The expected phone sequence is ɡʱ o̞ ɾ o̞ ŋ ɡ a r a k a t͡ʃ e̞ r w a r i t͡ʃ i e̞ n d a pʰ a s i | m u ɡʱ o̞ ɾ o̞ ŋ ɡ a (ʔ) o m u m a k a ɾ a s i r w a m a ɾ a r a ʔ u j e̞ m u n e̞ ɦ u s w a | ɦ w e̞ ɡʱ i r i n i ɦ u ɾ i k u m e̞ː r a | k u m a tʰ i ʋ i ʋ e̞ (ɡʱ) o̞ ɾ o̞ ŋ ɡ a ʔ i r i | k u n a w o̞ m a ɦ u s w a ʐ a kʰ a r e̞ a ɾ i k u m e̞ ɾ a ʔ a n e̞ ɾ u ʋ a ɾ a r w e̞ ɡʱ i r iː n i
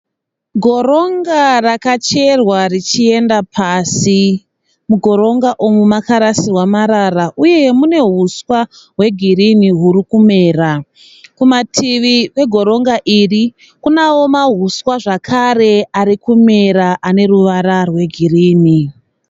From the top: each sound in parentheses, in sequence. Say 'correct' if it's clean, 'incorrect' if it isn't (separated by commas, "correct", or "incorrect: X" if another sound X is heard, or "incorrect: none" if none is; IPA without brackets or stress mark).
correct, correct